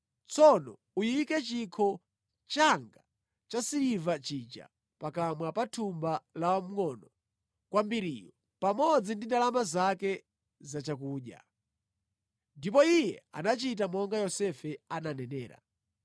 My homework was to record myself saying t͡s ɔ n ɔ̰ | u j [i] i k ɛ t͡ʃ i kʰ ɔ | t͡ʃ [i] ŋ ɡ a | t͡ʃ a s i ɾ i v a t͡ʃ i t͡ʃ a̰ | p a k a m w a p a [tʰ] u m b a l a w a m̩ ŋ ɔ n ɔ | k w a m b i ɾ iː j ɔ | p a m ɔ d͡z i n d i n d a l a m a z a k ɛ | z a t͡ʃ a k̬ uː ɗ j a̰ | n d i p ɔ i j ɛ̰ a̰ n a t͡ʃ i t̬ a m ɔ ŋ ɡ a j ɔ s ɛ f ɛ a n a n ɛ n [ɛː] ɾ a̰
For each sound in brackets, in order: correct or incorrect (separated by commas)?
correct, incorrect, correct, correct